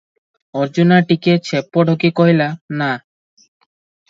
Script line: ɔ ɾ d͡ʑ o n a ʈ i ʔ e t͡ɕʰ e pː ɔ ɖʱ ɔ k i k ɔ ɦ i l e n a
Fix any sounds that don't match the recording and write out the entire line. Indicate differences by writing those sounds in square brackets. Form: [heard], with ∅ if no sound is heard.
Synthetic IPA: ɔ ɾ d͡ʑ [u] n a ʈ i [k] e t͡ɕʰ e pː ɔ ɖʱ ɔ k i k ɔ ɦ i l [a] n a